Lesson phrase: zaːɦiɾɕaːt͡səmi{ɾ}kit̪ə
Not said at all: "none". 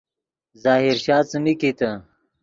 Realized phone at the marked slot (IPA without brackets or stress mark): none